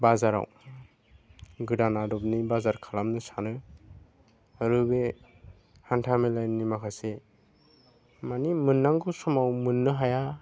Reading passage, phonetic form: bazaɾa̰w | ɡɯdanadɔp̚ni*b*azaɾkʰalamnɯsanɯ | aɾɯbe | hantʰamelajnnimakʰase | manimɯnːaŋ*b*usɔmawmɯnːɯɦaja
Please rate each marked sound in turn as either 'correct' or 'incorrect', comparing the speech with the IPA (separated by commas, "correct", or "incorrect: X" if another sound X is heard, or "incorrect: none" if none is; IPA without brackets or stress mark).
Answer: correct, incorrect: ɡ